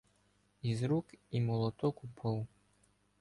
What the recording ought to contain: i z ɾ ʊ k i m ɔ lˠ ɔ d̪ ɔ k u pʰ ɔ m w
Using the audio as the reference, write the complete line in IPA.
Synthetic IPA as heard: i z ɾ u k i m ɔ lˠ ɔ t̪ ɔ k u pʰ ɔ w